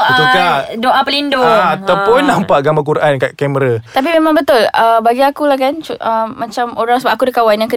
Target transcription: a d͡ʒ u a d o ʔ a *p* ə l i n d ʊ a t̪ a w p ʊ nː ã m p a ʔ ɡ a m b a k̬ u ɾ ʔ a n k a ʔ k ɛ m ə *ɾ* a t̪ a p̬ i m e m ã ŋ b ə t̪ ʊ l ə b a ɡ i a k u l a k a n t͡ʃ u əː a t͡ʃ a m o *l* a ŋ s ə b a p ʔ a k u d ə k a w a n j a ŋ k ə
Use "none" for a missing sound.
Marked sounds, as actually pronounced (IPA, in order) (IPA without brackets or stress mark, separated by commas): p, ɾ, ɾ